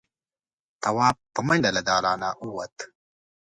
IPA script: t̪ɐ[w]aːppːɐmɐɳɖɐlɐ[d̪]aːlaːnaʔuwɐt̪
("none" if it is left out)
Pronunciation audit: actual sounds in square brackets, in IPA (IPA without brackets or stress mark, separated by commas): w, d̪